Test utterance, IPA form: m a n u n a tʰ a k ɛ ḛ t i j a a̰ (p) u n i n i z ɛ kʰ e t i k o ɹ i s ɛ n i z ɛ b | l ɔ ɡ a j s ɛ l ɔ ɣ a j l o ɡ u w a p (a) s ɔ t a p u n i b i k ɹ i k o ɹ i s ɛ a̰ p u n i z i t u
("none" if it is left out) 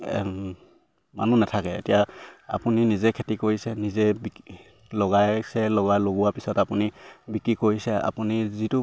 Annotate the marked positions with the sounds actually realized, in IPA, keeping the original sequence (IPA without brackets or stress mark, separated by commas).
p, i